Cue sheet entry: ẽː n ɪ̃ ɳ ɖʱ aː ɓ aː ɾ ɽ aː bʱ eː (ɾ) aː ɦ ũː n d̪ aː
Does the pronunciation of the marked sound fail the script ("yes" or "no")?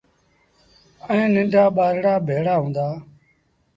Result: yes